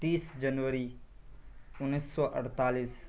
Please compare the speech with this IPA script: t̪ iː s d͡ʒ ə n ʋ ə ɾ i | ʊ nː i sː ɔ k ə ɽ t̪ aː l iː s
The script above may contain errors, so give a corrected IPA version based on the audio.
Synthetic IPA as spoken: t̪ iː s d͡ʒ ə n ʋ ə ɾ i | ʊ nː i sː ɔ ʔ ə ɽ t̪ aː l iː s